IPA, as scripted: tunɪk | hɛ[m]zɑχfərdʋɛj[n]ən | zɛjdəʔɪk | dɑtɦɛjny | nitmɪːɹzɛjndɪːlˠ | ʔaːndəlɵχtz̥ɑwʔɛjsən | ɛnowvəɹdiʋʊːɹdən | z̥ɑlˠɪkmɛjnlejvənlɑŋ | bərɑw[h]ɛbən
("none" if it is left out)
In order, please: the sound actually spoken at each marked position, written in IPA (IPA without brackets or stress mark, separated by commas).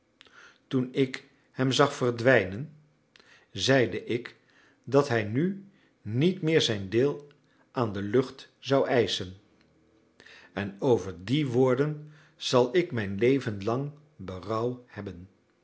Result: m, n, h